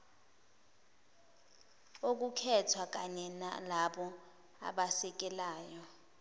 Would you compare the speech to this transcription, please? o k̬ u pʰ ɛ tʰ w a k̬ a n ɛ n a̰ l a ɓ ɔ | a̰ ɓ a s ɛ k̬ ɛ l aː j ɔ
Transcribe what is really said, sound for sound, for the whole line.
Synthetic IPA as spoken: o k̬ u kʰ ɛ tʰ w a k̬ a ɲ ɛ n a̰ l a ɓ ɔ | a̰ ɓ a s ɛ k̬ ɛ l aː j ɔ